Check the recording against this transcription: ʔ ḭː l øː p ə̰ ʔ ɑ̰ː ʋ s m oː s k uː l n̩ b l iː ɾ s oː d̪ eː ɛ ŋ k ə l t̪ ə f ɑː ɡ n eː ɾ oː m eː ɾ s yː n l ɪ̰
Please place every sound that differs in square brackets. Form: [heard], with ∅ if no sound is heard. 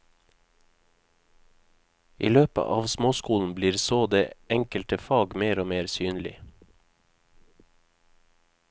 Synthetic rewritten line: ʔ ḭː l øː p ə̰ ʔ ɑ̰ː ʋ s m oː s k uː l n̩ b l iː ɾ s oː d̪ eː ɛ ŋ k ə l t̪ ə f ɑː ɡ [m] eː ɾ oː m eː ɾ s yː n l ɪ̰